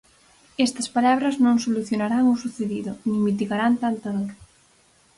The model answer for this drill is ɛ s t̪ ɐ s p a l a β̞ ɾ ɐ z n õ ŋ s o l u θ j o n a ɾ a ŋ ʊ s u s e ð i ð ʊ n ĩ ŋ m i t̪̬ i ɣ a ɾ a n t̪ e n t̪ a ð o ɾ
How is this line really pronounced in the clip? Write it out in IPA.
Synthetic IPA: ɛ s t̪ ɐ s p a l a β̞ ɾ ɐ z n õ ŋ s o l u θ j o n a ɾ a ŋ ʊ s u θ e ð i ð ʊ n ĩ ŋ m i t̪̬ i ɣ a ɾ a n t̪ a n t̪ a ð o ɾ